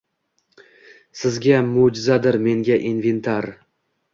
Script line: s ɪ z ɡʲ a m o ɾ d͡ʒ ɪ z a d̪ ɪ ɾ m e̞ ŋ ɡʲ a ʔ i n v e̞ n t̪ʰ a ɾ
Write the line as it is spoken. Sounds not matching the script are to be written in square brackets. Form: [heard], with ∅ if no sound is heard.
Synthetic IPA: s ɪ z ɡʲ a m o [∅] d͡ʒ ɪ z a d̪ ɪ ɾ m e̞ ŋ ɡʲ a ʔ i n v e̞ n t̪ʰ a ɾ